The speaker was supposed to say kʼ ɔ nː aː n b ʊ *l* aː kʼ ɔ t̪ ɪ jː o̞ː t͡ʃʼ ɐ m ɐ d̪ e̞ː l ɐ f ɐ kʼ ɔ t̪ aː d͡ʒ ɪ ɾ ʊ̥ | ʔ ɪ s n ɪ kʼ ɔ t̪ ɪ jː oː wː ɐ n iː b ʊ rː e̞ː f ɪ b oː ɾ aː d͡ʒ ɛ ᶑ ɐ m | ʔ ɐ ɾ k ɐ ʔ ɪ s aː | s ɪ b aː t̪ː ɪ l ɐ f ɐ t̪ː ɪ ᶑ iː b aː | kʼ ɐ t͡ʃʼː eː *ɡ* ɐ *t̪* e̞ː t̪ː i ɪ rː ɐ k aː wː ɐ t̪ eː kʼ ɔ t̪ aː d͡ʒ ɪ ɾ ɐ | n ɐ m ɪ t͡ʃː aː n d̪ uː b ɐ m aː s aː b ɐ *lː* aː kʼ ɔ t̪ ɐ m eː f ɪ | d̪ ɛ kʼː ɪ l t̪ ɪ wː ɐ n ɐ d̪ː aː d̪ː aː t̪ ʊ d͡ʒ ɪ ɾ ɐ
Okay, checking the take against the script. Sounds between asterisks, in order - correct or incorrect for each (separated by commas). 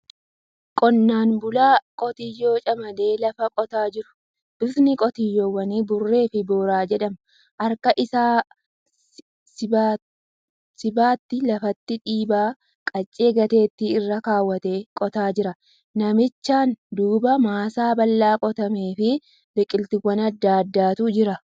correct, correct, correct, correct